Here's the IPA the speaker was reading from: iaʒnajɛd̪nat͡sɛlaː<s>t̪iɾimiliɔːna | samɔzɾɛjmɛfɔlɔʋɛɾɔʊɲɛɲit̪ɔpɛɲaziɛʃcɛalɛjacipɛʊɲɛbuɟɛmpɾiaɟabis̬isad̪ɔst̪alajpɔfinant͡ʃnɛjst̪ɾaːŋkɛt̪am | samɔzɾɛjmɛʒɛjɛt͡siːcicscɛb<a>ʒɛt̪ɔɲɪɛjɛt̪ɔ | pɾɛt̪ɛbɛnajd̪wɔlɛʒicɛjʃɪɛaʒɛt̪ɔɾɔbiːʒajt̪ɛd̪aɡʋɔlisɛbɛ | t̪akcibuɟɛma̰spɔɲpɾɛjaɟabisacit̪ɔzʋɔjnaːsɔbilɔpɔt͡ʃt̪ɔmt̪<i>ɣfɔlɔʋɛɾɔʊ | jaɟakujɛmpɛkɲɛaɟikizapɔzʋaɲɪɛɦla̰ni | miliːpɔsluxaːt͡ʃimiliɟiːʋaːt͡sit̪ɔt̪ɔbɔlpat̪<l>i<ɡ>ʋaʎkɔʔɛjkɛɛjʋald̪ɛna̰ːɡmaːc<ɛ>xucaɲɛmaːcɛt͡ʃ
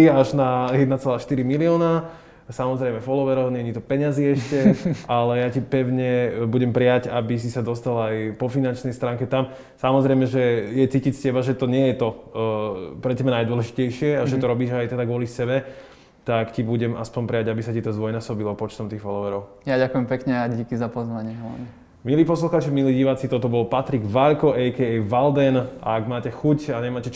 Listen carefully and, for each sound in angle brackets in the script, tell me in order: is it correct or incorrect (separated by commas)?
incorrect, correct, incorrect, incorrect, correct, correct